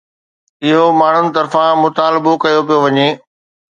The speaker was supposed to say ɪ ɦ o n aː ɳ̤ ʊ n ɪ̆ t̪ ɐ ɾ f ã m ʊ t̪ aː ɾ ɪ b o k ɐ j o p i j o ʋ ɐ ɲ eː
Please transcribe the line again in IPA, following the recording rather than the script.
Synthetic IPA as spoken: ɪ ɦ o m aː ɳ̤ ʊ n ɪ̆ t̪ ɐ ɾ f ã m ʊ t̪ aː l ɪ b o k ɐ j o p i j o ʋ ɐ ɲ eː